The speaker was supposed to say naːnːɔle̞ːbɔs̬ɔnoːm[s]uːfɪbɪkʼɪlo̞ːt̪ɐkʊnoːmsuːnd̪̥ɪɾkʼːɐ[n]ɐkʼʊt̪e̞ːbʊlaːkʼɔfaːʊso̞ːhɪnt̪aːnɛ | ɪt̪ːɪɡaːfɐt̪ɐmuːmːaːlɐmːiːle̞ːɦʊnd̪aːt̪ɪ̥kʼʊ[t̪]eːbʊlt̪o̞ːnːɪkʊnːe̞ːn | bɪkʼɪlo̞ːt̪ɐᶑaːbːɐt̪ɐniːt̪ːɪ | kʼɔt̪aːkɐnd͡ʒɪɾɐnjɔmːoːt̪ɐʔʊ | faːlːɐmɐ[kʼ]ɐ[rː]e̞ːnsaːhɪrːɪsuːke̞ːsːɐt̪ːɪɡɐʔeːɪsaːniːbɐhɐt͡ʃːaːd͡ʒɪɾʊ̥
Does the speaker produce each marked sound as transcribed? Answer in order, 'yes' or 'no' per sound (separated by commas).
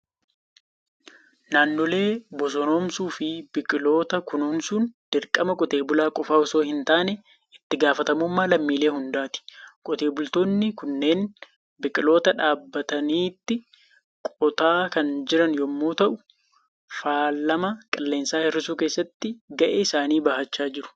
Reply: yes, no, yes, yes, no